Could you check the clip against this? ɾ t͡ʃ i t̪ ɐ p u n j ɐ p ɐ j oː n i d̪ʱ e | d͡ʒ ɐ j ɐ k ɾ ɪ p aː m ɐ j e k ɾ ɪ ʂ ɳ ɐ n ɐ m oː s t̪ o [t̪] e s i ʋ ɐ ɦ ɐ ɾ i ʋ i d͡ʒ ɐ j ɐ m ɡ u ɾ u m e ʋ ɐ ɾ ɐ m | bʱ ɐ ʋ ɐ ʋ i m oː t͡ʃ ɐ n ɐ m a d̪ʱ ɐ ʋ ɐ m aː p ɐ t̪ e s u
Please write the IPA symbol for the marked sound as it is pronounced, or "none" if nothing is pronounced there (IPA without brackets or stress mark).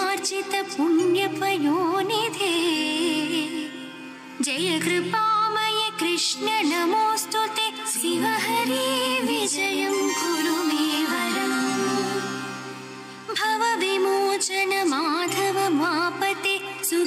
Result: t̪